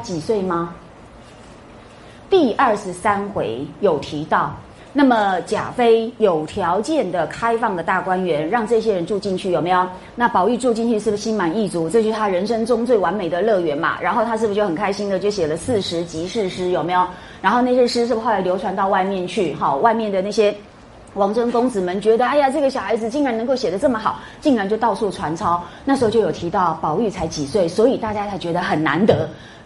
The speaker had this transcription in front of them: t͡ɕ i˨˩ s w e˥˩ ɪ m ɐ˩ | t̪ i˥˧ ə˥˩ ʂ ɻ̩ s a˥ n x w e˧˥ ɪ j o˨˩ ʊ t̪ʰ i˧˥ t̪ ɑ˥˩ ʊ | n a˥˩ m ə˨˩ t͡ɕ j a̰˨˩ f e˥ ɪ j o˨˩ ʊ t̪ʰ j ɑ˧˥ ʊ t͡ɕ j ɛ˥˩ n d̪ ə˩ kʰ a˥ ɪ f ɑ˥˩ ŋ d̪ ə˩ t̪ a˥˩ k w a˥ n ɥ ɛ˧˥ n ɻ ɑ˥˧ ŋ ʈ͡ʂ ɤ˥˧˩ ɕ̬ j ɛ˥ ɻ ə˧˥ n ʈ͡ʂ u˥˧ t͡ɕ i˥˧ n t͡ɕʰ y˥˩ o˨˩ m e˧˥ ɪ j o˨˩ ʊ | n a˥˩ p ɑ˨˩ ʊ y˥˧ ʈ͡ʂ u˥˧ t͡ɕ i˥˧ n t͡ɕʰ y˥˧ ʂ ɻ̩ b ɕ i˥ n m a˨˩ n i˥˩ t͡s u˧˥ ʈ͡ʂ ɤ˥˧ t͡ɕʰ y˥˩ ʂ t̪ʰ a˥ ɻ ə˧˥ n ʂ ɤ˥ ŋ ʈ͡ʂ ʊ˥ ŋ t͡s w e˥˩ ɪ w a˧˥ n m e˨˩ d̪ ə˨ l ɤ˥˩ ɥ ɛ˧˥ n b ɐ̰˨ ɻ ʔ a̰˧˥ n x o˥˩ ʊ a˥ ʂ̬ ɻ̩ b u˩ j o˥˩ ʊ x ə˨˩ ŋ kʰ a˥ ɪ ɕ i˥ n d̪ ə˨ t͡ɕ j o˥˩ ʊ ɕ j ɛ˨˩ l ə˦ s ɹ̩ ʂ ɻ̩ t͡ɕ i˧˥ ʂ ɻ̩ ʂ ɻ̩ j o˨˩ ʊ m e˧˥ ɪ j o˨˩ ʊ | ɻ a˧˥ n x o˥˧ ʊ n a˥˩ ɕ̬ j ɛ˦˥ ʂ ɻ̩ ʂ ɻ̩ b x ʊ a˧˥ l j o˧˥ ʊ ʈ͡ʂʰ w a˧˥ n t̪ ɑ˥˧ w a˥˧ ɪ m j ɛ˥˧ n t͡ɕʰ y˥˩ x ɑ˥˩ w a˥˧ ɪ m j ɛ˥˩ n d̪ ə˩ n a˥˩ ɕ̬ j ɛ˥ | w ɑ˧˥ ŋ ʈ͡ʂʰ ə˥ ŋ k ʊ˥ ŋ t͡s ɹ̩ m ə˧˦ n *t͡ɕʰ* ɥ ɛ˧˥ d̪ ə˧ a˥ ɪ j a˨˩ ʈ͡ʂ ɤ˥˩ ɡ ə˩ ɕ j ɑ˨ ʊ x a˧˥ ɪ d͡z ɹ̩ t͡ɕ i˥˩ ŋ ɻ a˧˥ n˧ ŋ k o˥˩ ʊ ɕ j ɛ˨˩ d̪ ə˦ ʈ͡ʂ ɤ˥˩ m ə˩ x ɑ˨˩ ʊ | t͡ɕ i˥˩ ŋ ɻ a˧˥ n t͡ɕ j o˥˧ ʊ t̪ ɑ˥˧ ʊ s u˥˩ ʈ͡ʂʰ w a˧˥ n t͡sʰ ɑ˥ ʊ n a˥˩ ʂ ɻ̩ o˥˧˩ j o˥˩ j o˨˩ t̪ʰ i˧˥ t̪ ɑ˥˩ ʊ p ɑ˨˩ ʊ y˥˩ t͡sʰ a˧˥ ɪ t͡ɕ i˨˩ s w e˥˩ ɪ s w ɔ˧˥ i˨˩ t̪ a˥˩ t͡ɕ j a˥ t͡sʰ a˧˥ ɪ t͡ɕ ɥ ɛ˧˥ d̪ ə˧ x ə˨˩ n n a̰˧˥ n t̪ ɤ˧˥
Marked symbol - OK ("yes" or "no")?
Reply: no